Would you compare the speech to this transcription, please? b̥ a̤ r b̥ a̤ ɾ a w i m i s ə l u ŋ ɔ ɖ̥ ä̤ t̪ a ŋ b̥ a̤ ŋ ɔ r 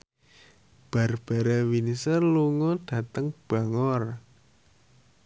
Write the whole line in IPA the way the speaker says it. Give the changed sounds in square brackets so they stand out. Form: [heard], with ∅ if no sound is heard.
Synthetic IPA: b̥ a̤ r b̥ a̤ ɾ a w i [n] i s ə l u ŋ ɔ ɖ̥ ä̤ t̪ [ə] ŋ b̥ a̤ ŋ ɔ r